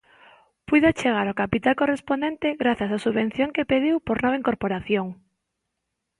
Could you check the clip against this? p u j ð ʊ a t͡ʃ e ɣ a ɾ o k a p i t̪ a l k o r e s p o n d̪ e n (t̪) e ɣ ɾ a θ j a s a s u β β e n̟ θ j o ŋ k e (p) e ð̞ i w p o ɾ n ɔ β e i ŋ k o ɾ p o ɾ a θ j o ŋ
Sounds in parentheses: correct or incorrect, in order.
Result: correct, correct

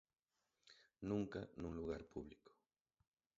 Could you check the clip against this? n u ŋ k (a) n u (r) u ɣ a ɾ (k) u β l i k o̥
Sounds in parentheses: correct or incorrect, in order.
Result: correct, incorrect: l, incorrect: p

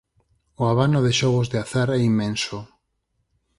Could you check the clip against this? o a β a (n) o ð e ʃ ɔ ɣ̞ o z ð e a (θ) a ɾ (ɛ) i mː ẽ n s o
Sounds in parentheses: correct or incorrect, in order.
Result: correct, correct, correct

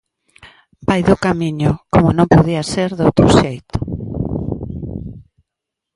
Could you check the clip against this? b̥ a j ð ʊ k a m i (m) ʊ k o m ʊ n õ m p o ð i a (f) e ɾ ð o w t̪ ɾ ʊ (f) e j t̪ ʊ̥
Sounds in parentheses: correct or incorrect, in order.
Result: incorrect: ɲ, incorrect: s, incorrect: ʃ

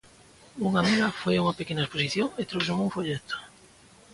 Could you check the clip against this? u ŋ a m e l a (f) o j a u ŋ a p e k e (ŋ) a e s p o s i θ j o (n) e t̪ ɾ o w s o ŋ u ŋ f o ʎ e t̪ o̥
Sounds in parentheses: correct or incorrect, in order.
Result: correct, incorrect: n, incorrect: ŋ

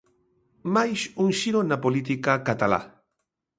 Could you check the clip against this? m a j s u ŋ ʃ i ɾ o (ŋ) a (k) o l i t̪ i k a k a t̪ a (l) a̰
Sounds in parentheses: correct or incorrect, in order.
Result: incorrect: n, incorrect: p, correct

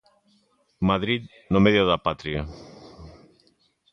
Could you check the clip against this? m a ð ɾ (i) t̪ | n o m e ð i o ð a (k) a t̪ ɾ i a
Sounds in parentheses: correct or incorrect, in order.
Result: correct, incorrect: p

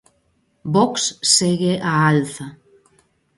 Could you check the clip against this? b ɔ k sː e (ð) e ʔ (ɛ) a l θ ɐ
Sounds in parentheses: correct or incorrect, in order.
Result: incorrect: ɣ, incorrect: a

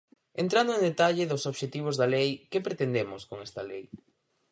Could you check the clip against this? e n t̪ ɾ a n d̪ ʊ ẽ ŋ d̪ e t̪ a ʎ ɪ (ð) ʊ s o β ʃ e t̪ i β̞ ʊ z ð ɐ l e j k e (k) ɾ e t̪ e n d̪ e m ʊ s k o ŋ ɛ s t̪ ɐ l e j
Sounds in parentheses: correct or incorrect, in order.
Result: correct, incorrect: p

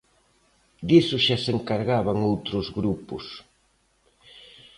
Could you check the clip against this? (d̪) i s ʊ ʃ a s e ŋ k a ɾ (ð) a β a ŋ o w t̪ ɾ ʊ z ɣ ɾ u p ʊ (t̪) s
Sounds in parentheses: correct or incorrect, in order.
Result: correct, incorrect: ɣ, incorrect: none

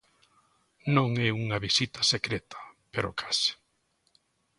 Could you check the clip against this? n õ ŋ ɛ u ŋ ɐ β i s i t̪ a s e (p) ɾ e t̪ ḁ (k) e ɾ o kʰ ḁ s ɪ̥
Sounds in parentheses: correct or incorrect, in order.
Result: incorrect: k, incorrect: p

